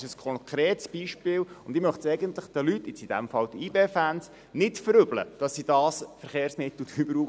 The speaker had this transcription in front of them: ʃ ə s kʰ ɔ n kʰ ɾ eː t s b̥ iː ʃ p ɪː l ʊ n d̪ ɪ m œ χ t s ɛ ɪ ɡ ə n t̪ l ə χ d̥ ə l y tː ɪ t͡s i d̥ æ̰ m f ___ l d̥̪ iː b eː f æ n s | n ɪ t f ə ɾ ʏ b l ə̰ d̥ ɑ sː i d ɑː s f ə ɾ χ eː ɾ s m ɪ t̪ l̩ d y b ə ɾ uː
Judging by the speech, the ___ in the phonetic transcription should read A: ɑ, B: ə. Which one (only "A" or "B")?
A